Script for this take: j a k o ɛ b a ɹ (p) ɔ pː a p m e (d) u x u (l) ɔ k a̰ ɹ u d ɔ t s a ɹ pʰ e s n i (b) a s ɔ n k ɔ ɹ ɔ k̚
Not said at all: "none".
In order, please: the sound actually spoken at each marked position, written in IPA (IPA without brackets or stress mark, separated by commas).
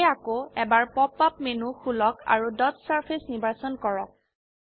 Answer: p, n, l, b